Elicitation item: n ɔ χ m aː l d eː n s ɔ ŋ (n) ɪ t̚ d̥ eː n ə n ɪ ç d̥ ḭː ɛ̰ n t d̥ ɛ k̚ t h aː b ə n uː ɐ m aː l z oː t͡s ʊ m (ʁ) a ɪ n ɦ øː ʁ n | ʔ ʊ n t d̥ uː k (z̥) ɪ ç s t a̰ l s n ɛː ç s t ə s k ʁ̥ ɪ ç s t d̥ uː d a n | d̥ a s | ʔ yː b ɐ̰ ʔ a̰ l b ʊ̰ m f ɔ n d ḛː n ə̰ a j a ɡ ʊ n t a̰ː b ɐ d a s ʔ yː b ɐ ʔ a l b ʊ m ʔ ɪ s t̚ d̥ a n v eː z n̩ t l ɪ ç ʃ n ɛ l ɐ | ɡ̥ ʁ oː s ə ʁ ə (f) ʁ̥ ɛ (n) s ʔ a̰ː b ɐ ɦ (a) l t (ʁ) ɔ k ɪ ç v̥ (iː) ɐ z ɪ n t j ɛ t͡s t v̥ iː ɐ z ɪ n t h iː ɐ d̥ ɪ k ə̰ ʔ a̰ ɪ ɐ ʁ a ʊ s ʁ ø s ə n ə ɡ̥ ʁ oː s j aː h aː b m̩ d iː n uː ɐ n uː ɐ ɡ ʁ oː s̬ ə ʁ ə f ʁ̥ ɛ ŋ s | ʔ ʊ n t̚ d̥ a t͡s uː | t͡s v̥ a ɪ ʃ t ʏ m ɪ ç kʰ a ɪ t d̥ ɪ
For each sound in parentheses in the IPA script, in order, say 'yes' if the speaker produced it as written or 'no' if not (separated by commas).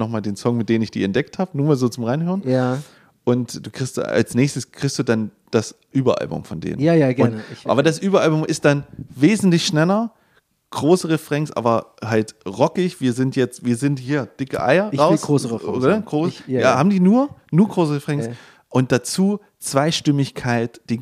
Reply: no, yes, no, yes, no, yes, yes, yes